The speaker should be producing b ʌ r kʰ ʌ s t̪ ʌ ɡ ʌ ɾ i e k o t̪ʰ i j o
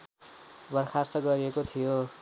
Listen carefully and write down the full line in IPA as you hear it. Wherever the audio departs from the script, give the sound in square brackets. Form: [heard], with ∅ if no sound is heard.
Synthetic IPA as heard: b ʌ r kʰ [a] s t̪ ʌ ɡ ʌ ɾ i e k o t̪ʰ i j o